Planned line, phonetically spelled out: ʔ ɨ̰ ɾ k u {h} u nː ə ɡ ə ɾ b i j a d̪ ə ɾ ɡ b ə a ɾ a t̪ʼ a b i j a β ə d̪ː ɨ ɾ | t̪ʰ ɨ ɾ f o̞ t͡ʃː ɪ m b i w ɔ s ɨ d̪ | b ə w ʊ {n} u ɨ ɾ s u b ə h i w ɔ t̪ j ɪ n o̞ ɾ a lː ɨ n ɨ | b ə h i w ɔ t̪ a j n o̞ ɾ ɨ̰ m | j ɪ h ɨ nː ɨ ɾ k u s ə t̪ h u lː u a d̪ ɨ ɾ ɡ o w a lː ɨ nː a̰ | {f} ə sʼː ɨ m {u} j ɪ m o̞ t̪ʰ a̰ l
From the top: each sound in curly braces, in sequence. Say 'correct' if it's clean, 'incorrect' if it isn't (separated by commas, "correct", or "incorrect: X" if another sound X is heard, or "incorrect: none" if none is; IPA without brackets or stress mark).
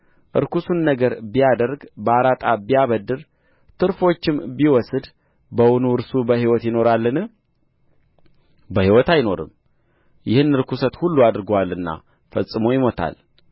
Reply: incorrect: s, correct, correct, incorrect: o